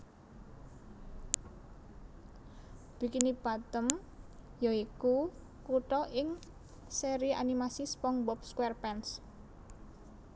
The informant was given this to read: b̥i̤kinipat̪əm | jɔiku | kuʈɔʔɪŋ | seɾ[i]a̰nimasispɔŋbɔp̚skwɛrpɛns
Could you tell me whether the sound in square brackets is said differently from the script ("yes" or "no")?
no